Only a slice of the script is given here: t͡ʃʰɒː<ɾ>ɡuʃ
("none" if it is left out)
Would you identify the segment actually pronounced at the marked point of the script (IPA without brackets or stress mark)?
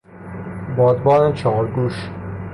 ɾ